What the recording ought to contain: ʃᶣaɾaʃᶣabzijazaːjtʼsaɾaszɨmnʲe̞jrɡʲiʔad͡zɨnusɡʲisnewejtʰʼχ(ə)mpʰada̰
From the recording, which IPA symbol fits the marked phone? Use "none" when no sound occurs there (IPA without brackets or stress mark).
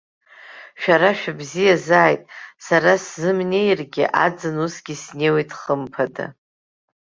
ə